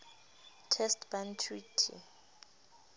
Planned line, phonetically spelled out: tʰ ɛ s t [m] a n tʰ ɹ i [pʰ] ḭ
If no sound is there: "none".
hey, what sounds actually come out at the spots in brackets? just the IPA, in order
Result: b, tʰ

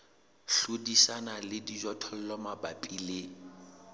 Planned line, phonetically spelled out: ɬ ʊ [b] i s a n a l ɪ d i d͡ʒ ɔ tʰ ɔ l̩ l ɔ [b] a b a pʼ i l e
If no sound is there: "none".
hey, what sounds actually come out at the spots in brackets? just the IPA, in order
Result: d, m

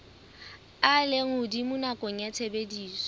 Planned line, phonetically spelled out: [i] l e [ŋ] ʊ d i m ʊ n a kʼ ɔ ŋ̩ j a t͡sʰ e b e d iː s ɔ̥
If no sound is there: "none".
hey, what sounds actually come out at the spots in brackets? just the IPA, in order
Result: a, ŋ

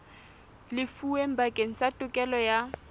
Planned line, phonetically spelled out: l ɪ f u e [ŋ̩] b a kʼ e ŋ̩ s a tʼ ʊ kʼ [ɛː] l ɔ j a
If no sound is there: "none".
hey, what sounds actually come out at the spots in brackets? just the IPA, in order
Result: m̩, ɛ

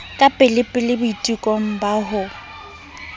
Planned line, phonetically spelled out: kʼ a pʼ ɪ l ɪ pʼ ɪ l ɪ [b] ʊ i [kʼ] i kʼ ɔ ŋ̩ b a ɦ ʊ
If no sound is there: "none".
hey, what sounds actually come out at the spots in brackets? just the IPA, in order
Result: b, tʼ

